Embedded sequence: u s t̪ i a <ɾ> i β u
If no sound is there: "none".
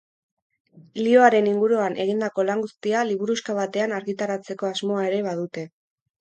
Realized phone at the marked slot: l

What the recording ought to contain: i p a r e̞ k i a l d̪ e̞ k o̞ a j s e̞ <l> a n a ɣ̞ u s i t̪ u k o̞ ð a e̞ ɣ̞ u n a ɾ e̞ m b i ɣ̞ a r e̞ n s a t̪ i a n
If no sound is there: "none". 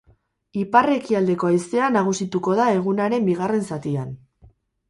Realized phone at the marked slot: none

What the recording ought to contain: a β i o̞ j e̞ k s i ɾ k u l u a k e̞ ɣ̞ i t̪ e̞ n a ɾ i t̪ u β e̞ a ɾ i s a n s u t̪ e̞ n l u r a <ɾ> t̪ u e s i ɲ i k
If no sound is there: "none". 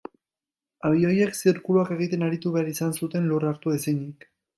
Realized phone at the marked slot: ɾ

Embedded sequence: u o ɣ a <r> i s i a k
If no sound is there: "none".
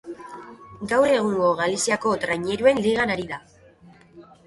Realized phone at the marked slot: l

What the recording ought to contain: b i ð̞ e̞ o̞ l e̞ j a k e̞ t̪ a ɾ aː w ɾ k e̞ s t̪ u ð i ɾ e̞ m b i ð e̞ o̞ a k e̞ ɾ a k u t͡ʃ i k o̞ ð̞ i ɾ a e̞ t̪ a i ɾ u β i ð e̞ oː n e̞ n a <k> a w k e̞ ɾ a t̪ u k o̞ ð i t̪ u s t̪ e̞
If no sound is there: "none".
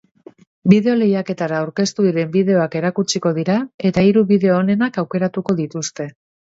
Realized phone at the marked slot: k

